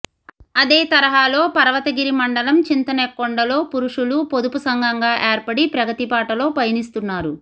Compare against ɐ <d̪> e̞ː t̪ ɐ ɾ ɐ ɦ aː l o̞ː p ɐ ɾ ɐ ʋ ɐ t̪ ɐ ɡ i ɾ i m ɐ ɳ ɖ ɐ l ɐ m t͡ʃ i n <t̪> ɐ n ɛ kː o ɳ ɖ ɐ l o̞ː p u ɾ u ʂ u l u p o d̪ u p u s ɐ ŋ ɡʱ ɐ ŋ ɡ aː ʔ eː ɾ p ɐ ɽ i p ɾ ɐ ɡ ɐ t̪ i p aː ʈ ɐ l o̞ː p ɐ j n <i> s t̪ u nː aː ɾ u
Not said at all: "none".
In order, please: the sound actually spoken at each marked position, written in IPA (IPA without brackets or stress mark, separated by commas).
d̪, t̪, i